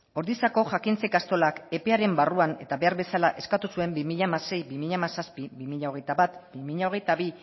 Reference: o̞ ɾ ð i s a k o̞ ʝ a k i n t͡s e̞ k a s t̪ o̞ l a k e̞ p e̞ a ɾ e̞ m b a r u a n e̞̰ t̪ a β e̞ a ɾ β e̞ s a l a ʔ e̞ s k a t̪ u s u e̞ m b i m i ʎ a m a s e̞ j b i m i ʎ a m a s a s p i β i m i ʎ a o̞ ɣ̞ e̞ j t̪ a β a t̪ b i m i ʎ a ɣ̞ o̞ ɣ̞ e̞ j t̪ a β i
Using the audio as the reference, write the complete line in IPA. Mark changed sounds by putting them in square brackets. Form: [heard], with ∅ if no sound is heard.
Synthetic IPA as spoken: o̞ ɾ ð i s a k o̞ ʝ a k i n t͡s e̞ k a s t̪ o̞ l a k e̞ p e̞ a ɾ e̞ m b a r u a n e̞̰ t̪ a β e̞ a ɾ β e̞ s a l a ʔ e̞ s k a t̪ u s u e̞ m b i m i ʎ a m a s e̞ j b i m i ʎ a m a s a s p i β i m i ʎ a o̞ ɣ̞ e̞ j t̪ a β a t̪ b i m i ʎ a [∅] o̞ ɣ̞ e̞ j t̪ a β i